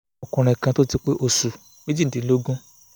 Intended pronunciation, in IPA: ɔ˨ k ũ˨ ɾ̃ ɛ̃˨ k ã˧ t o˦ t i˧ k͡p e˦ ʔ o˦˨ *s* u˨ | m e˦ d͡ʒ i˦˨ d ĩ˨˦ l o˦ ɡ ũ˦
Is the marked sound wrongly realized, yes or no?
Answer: no